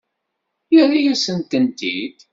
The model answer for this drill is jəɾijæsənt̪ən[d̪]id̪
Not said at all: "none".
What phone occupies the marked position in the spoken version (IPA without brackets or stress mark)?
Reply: t̪